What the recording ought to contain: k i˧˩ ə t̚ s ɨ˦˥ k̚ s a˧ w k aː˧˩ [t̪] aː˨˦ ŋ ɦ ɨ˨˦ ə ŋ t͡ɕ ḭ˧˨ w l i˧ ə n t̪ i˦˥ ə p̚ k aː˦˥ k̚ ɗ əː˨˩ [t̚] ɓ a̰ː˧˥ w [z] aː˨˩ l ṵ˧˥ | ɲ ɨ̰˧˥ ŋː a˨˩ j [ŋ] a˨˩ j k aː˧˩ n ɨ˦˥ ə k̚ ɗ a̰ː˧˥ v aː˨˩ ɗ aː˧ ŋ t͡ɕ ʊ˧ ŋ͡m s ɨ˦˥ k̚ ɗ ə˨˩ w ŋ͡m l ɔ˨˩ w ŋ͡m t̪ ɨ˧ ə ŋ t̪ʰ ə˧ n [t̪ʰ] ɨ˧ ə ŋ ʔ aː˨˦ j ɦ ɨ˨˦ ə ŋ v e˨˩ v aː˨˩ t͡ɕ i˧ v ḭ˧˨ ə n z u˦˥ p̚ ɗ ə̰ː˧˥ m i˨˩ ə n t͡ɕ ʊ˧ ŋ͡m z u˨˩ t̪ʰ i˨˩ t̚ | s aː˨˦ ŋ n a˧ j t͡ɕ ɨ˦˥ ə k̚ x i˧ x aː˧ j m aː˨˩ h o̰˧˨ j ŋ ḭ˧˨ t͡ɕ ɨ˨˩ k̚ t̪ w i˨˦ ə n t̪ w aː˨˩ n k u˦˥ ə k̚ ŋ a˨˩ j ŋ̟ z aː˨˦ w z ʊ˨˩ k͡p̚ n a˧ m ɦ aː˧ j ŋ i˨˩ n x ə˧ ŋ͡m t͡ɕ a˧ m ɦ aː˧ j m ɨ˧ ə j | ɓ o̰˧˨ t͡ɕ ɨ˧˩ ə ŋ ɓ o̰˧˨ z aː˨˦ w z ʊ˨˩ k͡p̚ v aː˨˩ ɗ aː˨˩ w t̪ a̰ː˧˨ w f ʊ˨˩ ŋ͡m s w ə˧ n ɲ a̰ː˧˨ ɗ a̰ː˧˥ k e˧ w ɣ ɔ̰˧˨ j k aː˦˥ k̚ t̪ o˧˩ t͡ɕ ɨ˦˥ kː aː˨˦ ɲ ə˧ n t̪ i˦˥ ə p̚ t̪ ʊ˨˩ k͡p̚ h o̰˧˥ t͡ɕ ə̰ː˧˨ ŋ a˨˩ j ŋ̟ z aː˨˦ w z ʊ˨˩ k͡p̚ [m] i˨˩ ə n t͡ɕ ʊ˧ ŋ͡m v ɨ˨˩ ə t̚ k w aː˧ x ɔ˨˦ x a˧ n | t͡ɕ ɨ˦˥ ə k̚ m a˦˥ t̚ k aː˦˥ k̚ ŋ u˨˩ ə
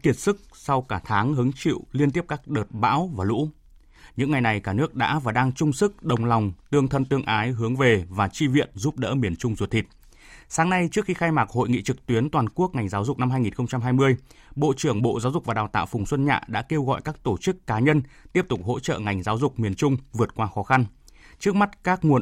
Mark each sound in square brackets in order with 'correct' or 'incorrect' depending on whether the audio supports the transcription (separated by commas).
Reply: incorrect, correct, incorrect, incorrect, incorrect, correct